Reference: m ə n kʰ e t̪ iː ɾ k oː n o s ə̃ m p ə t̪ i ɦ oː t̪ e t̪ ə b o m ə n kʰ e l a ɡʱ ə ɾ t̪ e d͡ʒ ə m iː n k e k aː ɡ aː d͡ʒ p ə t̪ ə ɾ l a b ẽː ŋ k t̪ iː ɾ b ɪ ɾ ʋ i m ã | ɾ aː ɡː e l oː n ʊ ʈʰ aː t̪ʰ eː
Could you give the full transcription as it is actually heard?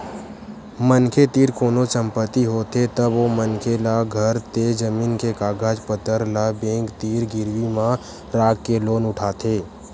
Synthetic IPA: m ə n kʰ e t̪ iː ɾ k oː n o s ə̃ m p ə t̪ i ɦ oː t̪ e t̪ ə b o m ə n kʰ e l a ɡʱ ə ɾ t̪ e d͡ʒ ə m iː n k e k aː ɡ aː d͡ʒ p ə t̪ ə ɾ l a b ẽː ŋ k t̪ iː ɾ ɡ ɪ ɾ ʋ i m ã | ɾ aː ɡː e l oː n ʊ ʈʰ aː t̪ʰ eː